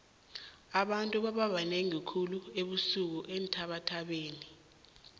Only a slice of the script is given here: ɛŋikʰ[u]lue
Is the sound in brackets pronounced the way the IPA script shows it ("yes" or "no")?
yes